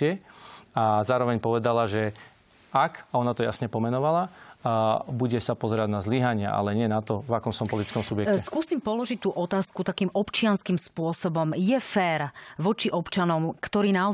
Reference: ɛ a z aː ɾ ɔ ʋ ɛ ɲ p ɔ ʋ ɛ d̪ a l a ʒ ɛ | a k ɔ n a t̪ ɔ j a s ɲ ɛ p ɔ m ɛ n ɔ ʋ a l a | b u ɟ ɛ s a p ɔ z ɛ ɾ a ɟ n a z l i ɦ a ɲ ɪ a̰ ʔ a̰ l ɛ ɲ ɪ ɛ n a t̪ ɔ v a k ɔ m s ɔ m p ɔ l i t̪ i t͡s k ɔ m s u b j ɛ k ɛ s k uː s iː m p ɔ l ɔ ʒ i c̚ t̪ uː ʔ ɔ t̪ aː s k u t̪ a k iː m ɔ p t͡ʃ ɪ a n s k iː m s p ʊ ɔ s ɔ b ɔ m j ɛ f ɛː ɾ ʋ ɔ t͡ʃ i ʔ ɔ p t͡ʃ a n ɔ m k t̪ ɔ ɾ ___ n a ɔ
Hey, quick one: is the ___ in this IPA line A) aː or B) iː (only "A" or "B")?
B